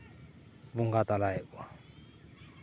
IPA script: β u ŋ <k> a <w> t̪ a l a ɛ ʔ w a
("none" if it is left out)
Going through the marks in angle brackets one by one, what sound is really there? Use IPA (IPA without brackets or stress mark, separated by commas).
ɡ, none